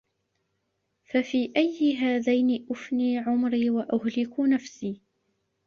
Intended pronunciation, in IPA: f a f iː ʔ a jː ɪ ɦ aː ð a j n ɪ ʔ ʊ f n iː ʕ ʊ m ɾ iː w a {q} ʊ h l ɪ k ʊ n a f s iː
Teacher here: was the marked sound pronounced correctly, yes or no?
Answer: no